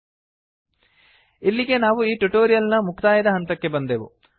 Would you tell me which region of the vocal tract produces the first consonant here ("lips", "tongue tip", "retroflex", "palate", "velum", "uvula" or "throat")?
tongue tip